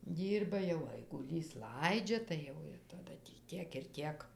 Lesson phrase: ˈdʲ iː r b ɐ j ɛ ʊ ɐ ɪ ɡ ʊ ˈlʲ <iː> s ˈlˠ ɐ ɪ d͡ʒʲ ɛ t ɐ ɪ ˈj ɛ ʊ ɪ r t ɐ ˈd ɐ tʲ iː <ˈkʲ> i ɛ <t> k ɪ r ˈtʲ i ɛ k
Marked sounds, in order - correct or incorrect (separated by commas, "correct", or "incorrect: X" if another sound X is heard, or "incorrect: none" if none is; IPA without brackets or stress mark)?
correct, incorrect: tʲ, incorrect: none